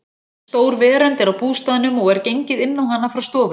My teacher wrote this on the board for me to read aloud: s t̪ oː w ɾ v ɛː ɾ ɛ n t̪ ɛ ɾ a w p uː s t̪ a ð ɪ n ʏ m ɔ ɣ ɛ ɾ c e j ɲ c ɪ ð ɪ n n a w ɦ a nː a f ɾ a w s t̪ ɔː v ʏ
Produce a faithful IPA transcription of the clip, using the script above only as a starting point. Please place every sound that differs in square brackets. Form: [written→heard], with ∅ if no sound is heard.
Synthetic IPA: s t̪ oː w ɾ v ɛː ɾ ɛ n t̪ ɛ ɾ a w p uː s t̪ a ð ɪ n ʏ m ɔ ɣ ɛ ɾ c e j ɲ c ɪ ð ɪ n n a w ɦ a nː a f ɾ a w s t̪ ɔː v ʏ